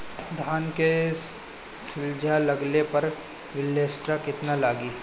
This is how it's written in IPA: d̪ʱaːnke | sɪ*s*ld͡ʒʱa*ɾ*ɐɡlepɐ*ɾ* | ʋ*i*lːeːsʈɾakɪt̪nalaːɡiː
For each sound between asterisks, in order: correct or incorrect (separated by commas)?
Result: incorrect, incorrect, correct, incorrect